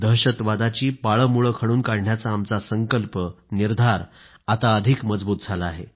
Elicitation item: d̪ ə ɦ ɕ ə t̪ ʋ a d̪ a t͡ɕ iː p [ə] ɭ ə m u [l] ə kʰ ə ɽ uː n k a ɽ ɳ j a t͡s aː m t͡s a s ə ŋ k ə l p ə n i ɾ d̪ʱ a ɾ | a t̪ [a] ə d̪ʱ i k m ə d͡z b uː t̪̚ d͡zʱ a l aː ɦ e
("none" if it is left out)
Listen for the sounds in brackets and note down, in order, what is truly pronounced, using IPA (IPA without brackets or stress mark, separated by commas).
a, ɭ, a